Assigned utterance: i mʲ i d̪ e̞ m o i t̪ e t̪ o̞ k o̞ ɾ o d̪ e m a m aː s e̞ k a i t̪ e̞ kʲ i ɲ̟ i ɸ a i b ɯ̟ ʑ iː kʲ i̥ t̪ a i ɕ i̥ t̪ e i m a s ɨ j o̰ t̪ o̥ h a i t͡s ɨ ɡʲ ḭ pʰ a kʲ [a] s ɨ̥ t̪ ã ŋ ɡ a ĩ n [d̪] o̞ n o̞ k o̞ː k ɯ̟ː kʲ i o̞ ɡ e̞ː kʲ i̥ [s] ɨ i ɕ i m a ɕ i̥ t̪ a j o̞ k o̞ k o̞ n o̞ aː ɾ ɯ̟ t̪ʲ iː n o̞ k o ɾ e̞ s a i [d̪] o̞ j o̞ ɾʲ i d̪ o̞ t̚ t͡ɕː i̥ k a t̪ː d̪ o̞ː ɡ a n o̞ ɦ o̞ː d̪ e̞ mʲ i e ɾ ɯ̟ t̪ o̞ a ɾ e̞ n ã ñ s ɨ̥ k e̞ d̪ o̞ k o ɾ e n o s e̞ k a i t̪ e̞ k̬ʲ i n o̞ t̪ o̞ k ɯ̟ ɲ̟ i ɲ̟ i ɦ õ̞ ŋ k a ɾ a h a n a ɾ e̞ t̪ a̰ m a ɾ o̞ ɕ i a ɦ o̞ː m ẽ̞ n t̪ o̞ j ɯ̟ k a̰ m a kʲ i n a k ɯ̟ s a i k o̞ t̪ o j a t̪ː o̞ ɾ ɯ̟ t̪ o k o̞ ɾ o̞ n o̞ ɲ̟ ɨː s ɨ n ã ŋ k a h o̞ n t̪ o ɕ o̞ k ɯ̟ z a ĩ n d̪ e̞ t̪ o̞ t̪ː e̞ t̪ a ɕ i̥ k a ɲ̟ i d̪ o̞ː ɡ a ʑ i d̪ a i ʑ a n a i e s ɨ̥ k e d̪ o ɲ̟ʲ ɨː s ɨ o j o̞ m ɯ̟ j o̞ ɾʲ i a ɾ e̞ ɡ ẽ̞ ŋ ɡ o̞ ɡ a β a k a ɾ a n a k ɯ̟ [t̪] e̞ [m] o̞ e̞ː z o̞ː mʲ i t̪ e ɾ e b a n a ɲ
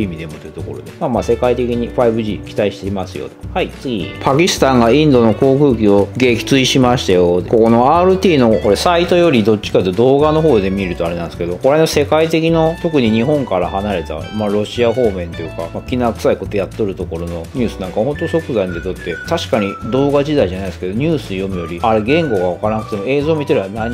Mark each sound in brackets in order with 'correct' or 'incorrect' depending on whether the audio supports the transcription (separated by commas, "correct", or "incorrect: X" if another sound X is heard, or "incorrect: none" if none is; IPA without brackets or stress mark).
incorrect: i, correct, incorrect: t͡s, incorrect: t̪, correct, correct